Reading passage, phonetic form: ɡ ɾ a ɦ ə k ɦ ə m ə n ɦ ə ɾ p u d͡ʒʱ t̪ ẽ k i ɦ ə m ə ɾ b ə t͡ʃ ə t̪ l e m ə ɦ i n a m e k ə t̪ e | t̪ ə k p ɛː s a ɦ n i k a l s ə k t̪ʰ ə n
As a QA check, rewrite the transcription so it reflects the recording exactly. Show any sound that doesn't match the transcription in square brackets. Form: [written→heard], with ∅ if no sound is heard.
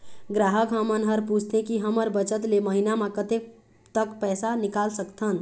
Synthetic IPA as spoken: ɡ ɾ a ɦ ə k ɦ ə m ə n ɦ ə ɾ p u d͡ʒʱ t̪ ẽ k i ɦ ə m ə ɾ b ə t͡ʃ ə t̪ l e m ə ɦ i n a m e k ə t̪ e | t̪ ə k p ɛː s a [ɦ→∅] n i k a l s ə k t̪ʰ ə n